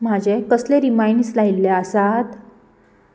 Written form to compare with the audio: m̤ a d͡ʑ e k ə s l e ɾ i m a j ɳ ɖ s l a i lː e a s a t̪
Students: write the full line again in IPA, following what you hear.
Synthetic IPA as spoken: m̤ a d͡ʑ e k ə s l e ɾ i m a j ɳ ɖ s l a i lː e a s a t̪

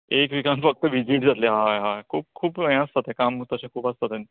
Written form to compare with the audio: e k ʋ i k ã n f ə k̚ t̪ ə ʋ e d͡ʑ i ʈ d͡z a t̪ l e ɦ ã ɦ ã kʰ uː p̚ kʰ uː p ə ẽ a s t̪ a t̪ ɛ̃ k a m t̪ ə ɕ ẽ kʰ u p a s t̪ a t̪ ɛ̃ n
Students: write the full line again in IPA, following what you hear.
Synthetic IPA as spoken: e k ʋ i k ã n f ə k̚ t̪ ə ʋ i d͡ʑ i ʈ d͡z a t̪ l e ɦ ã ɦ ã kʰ uː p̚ kʰ uː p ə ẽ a s t̪ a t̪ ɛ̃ k a m t̪ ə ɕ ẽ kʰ uː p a s t̪ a t̪ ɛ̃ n

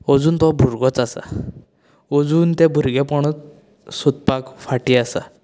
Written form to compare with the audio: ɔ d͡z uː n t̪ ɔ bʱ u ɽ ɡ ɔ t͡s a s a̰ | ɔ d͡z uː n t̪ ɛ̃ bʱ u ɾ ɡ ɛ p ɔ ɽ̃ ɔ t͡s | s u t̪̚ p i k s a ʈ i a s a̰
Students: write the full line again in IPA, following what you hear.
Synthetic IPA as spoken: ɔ d͡z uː n t̪ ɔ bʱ u ɾ ɡ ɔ t͡s a s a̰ | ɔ d͡z uː n t̪ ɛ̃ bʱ u ɾ ɡ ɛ p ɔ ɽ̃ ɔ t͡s | s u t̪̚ p a k f a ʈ i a s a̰

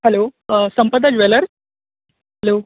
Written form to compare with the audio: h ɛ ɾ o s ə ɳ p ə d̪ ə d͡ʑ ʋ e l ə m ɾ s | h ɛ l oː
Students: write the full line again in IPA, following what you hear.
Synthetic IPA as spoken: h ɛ l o s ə m p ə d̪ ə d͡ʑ ʋ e l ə ɾ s | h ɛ l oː

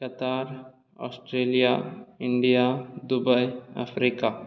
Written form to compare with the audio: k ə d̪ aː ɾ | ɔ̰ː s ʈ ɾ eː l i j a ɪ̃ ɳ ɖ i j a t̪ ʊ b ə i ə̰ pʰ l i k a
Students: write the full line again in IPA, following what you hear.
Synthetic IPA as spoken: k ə t̪ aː ɾ | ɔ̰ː s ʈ ɾ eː l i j a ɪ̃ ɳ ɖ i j a d̪ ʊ b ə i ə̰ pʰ ɾ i k a

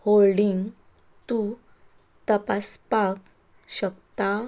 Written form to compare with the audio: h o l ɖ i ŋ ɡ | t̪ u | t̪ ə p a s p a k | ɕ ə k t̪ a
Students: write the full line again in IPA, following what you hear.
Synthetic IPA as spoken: h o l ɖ i ŋ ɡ | t̪ u | t̪ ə p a s p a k | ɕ ə k t̪ a

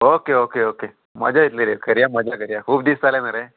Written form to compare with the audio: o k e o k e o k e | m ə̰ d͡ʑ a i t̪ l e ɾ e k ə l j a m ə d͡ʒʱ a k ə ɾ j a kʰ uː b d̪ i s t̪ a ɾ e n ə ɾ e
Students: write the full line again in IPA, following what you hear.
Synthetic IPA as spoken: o k e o k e o k e | m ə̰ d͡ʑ a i t̪ l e ɾ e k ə ɾ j a m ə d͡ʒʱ a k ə ɾ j a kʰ uː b d̪ i s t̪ a l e n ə ɾ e

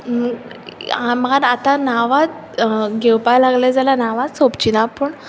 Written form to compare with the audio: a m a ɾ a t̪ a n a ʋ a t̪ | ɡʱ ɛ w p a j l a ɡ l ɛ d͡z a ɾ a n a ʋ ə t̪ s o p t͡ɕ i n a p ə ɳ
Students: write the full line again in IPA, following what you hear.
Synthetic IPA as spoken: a m a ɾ a t̪ a n a ʋ a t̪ | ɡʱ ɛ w p a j l a ɡ l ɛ d͡z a l a n a ʋ a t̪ s o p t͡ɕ i n a p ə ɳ

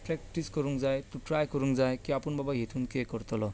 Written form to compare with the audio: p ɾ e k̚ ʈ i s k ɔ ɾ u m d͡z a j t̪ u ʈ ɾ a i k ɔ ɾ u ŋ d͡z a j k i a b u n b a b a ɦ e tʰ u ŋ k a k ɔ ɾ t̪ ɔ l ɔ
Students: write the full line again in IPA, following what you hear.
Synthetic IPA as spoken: p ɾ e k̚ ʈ i s k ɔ ɾ u ŋ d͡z a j t̪ u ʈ ɾ a j k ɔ ɾ u ŋ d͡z a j k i a p u n b a b a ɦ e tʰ u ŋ k e k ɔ ɾ t̪ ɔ l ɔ

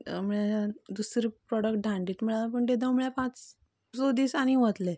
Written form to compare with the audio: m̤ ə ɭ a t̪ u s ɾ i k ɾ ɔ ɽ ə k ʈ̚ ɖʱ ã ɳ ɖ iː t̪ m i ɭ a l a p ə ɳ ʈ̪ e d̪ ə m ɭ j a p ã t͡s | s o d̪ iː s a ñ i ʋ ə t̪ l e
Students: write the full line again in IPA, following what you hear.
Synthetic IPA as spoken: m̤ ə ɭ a d̪ u s ɾ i p ɾ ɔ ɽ ə k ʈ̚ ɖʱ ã ɳ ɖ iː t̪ m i ɭ a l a p ə ɳ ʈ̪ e d̪ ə m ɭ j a p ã t͡s | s o d̪ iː s a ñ i ʋ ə t̪ l e

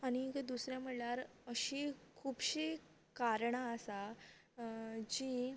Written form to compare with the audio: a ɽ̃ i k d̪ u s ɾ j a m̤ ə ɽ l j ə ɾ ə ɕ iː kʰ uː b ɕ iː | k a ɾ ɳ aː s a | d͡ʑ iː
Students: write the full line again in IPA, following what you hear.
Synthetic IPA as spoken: a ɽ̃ i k d̪ u s ɾ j a m̤ ə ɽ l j a ɾ ə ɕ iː kʰ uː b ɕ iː | k a ɾ ɳ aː s a | d͡ʑ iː

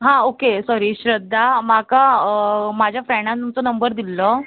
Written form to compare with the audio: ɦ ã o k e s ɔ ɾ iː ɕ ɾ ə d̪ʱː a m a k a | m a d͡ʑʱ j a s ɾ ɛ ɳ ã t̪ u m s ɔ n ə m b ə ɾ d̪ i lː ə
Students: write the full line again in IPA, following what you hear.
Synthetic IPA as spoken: ɦ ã o k e s ɔ ɾ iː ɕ ɾ ə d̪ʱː a m a k a | m a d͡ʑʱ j a f ɾ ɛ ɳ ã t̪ u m t͡s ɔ n ə m b ə ɾ d̪ i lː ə

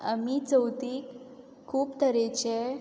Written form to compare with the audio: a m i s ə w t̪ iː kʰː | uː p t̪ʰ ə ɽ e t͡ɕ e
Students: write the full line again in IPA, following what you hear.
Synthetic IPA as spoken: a m i t͡s ə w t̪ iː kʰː | uː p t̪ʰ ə ɾ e t͡ɕ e

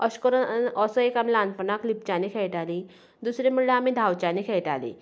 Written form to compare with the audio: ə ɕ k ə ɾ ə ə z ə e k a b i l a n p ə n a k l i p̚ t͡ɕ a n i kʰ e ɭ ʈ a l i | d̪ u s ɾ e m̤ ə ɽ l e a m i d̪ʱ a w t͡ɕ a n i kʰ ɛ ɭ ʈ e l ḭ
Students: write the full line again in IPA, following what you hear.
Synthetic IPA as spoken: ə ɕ k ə ɾ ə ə s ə e k a m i l a n p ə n a k l i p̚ t͡ɕ a n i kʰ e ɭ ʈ a l i | d̪ u s ɾ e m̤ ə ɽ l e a m i d̪ʱ a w t͡ɕ a n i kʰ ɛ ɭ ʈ a l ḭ

